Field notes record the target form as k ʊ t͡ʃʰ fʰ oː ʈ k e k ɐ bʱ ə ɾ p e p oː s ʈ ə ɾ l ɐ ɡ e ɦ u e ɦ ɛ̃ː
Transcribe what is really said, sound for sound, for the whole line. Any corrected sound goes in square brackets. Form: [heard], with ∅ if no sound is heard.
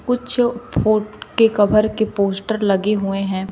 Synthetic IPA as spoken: k ʊ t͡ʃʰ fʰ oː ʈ k e k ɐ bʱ ə ɾ [k] e p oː s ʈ ə ɾ l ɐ ɡ e ɦ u e ɦ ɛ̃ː